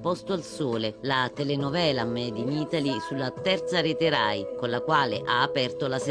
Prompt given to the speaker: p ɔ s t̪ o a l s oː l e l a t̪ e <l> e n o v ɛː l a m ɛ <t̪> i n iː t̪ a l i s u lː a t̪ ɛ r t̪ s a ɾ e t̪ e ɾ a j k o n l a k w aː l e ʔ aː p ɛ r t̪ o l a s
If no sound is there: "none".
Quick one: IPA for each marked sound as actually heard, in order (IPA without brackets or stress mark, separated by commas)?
l, d̪